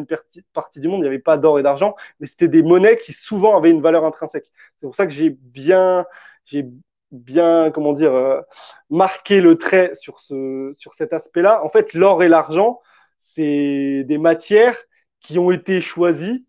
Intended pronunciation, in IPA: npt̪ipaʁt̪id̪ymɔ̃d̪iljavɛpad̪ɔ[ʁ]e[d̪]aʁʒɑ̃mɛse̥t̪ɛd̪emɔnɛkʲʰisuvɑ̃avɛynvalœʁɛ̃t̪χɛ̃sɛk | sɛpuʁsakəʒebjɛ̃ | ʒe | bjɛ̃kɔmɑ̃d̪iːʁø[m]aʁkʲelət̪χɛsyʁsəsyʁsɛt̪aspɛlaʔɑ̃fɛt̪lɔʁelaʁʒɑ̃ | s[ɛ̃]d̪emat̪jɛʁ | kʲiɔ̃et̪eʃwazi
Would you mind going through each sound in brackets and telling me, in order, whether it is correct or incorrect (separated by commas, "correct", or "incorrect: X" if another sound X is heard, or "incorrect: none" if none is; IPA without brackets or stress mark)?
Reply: correct, correct, correct, incorrect: ɛ